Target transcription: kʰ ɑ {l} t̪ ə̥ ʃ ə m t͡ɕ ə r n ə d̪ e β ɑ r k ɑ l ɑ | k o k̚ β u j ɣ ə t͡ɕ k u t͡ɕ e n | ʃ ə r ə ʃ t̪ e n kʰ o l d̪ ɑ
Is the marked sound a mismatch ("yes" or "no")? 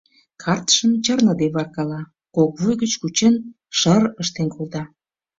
yes